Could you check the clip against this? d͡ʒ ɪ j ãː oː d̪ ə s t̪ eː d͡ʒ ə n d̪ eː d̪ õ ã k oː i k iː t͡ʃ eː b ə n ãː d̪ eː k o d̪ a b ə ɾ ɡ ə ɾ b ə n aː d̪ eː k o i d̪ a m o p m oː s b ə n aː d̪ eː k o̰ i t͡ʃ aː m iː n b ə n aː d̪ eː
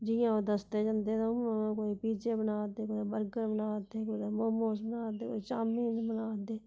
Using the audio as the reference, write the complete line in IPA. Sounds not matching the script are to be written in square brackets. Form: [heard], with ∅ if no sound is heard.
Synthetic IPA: d͡ʒ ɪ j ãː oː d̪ ə s t̪ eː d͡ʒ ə n d̪ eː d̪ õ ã k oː i [p] iː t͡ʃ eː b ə n [aː] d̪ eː k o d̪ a b ə ɾ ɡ ə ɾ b ə n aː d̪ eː k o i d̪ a m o [∅] m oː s b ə n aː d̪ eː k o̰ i t͡ʃ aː m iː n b ə n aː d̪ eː